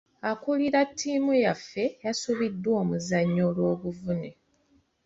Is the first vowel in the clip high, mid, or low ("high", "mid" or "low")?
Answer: low